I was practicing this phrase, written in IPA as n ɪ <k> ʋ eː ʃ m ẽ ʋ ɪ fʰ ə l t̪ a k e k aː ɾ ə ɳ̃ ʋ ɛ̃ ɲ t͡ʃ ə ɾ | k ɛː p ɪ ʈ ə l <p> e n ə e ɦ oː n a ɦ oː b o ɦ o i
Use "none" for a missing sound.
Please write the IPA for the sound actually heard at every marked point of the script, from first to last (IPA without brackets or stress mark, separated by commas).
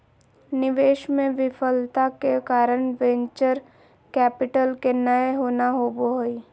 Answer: none, k